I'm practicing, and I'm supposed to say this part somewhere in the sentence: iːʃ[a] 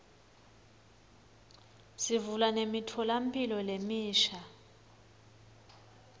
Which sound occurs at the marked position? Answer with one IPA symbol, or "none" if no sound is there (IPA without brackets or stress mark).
a